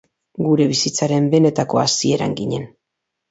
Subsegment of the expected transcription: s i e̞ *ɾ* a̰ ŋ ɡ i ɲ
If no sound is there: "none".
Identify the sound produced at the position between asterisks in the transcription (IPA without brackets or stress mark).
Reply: ɾ